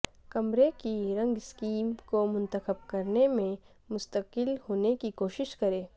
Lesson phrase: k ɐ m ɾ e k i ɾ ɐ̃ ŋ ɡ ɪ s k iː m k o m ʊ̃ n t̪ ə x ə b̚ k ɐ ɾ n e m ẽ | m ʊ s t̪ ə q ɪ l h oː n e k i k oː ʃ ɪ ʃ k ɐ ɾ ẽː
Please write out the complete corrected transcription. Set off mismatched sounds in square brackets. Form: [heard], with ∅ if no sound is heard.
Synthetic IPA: k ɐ m ɾ e k i ɾ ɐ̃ ŋ ɡ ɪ s k iː m k o m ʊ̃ n t̪ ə x ə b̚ k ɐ ɾ n e m ẽ | m ʊ s t̪ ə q ɪ l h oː n e k i k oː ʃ ɪ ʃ k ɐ ɾ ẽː